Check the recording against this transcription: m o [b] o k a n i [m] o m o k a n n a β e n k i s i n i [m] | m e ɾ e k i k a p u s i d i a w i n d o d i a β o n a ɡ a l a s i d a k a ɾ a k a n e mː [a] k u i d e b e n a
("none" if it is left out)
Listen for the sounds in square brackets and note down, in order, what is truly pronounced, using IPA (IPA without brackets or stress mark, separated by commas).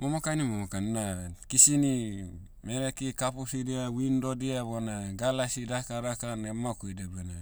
m, m, none, a